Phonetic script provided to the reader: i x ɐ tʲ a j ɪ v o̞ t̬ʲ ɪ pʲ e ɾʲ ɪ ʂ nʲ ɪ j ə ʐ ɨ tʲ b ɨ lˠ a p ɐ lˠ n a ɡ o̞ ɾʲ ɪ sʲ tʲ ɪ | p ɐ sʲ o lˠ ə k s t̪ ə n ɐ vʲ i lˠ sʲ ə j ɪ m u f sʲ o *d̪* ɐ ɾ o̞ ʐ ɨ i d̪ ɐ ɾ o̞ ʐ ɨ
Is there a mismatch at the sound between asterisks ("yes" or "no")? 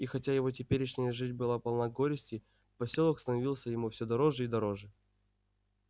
no